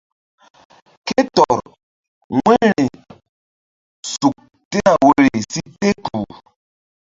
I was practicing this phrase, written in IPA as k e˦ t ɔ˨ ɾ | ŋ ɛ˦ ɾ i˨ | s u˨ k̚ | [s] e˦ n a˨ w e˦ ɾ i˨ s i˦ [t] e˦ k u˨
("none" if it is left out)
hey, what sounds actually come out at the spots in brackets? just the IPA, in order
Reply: t, t

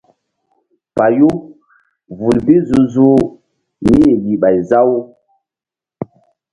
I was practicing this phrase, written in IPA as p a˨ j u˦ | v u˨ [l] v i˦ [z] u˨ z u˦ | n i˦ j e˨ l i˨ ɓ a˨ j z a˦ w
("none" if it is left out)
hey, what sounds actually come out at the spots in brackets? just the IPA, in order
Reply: l, z

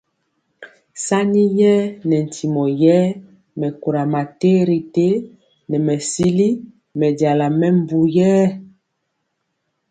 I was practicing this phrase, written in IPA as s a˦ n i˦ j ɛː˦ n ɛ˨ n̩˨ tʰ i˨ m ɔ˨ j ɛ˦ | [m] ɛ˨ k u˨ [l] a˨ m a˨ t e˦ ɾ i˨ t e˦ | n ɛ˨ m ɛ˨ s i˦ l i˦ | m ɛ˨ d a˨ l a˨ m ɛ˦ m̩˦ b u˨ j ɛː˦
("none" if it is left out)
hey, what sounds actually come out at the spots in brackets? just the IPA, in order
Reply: m, ɾ

